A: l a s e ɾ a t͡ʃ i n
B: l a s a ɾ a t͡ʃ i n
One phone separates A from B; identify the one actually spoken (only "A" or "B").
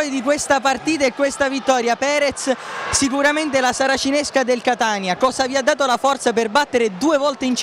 B